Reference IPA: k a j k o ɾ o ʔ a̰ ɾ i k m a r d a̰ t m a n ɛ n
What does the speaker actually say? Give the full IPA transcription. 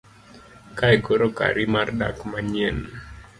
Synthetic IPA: k a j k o ɾ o k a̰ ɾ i m a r d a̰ k m a ɲ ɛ n